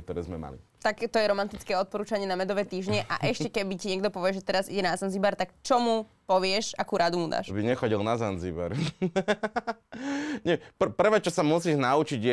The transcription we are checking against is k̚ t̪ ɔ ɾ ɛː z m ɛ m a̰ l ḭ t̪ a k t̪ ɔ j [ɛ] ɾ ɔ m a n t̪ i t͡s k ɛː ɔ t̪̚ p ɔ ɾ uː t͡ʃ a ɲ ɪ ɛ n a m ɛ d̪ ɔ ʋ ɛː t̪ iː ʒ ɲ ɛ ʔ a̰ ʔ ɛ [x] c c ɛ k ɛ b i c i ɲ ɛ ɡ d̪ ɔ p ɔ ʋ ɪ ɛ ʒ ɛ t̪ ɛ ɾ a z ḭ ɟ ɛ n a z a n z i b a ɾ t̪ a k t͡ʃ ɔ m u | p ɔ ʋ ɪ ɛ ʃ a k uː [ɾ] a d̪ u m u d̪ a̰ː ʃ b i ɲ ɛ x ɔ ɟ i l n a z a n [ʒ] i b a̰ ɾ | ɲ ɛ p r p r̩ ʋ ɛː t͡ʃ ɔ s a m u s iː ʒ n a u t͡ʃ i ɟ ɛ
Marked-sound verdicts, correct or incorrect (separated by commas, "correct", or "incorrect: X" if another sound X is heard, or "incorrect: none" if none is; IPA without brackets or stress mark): correct, incorrect: ʃ, correct, incorrect: z